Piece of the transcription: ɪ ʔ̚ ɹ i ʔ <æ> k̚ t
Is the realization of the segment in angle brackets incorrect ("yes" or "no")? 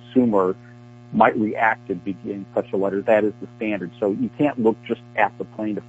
no